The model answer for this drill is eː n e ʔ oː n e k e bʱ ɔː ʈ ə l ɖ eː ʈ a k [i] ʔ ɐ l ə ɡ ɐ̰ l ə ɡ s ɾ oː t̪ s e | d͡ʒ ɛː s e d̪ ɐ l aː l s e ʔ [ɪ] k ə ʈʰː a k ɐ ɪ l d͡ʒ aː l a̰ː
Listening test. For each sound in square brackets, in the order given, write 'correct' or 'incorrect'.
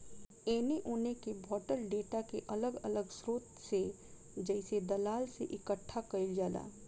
incorrect: e, correct

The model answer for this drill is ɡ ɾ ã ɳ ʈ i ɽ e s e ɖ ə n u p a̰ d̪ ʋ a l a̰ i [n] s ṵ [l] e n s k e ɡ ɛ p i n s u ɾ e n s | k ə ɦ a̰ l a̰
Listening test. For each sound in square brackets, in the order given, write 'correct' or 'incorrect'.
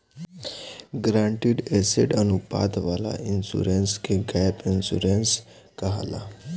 correct, incorrect: ɾ

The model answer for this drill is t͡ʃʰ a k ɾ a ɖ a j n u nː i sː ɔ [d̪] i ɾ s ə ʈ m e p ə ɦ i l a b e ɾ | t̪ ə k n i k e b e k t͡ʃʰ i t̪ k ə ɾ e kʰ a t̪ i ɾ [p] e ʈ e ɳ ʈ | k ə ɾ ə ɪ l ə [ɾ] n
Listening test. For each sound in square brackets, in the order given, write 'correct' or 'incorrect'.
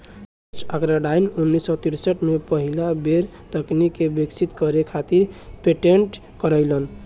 incorrect: t̪, correct, incorrect: none

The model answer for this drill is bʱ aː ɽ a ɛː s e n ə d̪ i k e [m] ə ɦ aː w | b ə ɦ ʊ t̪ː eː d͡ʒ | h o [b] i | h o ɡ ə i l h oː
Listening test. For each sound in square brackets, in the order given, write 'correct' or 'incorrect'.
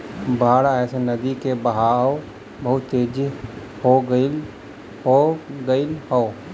incorrect: b, incorrect: ɡ

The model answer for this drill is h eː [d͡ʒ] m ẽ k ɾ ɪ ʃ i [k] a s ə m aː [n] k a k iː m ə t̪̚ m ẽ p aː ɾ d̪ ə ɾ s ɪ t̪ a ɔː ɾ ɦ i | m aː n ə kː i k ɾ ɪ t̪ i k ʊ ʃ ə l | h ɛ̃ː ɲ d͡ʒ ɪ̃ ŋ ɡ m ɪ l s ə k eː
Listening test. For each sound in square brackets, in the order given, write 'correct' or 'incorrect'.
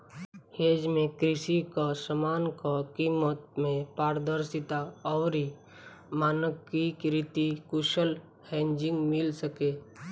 correct, correct, correct

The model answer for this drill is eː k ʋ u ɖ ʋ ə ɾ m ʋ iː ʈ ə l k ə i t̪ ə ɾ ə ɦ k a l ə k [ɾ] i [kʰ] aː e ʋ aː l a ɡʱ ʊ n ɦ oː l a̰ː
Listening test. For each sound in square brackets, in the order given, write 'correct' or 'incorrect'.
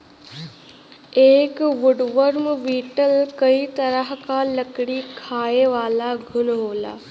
incorrect: ɽ, correct

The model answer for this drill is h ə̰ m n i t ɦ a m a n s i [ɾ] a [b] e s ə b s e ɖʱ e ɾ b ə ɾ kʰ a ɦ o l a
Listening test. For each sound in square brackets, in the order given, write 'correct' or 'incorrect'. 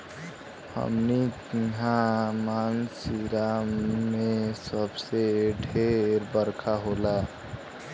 correct, incorrect: m

